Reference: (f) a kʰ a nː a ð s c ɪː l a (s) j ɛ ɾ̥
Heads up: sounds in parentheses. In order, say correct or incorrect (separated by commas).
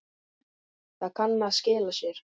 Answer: incorrect, correct